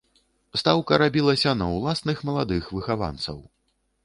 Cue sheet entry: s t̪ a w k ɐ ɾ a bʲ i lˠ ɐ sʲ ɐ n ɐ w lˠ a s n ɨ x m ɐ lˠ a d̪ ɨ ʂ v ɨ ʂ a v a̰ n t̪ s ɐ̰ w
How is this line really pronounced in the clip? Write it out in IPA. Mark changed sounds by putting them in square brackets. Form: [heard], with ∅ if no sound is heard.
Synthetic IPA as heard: s t̪ a w k ɐ ɾ a bʲ i lˠ ɐ sʲ ɐ n ɐ w lˠ a s n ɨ x m ɐ lˠ a d̪ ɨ [x] v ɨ [x] a v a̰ n t̪ s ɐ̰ w

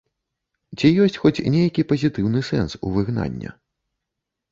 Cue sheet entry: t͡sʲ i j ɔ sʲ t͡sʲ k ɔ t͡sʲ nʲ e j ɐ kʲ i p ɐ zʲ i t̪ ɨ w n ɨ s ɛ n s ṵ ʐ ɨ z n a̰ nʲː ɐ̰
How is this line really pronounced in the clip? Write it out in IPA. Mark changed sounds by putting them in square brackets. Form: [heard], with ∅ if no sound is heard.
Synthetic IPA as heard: t͡sʲ i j ɔ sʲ t͡sʲ [x] ɔ t͡sʲ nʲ e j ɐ kʲ i p ɐ zʲ i t̪ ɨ w n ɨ s ɛ n s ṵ [v] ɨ [ɣ] n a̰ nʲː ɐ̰

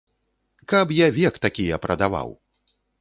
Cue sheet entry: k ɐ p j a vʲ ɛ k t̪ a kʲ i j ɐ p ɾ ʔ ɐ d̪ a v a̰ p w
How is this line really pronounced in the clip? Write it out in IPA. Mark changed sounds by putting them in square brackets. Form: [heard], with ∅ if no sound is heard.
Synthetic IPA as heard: k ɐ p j a vʲ ɛ k t̪ a kʲ i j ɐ p ɾ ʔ ɐ d̪ a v a̰ [∅] w

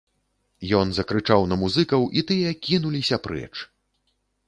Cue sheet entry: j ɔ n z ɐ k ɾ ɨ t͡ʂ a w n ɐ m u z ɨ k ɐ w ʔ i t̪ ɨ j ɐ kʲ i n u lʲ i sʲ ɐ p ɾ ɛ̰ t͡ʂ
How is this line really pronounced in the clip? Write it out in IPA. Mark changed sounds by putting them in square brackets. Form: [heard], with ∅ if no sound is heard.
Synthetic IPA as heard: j ɔ n z ɐ k ɾ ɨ t͡ʂ a w n ɐ m u z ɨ k ɐ w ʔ i t̪ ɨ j ɐ kʲ i n u lʲ i sʲ ɐ p ɾ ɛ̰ t͡ʂ

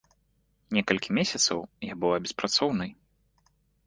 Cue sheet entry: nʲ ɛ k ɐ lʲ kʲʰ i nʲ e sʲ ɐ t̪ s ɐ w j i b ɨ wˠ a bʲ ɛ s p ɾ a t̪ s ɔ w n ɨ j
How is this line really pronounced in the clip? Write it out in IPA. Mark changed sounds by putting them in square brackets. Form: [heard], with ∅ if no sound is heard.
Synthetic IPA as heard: nʲ ɛ k ɐ lʲ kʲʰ i [mʲ] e sʲ ɐ t̪ s ɐ w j [a] b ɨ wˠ a bʲ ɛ s p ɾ a t̪ s ɔ w n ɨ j

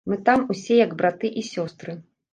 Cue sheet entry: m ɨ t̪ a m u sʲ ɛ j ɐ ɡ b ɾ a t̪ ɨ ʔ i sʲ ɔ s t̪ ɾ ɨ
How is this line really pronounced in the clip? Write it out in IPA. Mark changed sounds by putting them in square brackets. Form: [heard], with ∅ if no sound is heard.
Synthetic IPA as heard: m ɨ t̪ a m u sʲ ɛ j ɐ ɡ b ɾ a t̪ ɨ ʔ i sʲ ɔ s t̪ ɾ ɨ

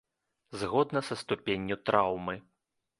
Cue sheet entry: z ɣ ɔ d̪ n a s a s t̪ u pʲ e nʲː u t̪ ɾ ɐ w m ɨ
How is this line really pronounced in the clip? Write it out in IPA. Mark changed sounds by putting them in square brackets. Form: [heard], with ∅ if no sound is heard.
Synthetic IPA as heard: z ɣ ɔ d̪ n [ɐ] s [ɐ] s t̪ u pʲ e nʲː u t̪ ɾ [a] w m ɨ

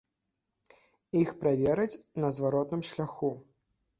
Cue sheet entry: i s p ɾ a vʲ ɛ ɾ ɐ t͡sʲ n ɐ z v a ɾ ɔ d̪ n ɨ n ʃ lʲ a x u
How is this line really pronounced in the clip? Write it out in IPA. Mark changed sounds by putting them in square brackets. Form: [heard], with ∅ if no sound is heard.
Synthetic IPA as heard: i [x] p ɾ a vʲ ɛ ɾ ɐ t͡sʲ n ɐ z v a ɾ ɔ [t̪] n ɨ [m] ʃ lʲ a x u

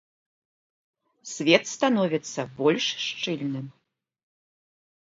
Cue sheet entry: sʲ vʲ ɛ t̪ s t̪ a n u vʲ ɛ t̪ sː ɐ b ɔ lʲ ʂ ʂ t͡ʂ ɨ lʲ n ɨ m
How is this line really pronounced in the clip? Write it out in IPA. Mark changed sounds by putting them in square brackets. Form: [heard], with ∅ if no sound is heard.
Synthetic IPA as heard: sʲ vʲ ɛ t̪ s t̪ a n [ɔ] vʲ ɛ t̪ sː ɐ b ɔ lʲ ʂ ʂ t͡ʂ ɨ lʲ n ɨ m

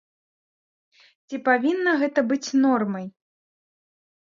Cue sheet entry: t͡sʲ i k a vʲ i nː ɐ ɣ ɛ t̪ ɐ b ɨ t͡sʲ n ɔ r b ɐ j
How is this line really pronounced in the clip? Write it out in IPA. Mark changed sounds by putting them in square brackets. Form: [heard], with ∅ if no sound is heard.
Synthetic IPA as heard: t͡sʲ i [p] a vʲ i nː ɐ ɣ ɛ t̪ ɐ b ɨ t͡sʲ n ɔ r [m] ɐ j

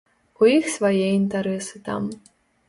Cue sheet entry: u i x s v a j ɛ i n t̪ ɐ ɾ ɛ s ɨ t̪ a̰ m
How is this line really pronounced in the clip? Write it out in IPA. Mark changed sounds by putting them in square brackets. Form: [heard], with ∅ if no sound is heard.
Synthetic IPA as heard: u i x s v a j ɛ i n t̪ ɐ ɾ ɛ s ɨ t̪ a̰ m

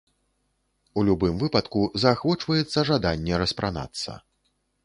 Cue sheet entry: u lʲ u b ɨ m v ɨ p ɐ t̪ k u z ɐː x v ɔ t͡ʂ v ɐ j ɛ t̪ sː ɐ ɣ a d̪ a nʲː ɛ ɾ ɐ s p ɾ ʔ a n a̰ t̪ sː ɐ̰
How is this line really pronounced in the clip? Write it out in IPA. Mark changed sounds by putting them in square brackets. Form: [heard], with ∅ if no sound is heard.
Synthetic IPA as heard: u lʲ u b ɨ m v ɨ p ɐ t̪ k u z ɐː x v ɔ t͡ʂ v ɐ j ɛ t̪ sː ɐ [ʐ] a d̪ a nʲː ɛ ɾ ɐ s p ɾ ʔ a n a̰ t̪ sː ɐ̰

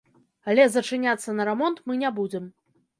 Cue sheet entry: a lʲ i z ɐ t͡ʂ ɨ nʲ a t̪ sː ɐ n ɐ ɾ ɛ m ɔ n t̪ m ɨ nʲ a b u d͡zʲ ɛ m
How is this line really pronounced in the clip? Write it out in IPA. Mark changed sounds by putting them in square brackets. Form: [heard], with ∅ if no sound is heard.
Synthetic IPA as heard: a lʲ [ɛ] z ɐ t͡ʂ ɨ nʲ a t̪ sː ɐ n ɐ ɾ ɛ m ɔ n t̪ m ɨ nʲ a b u d͡zʲ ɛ m

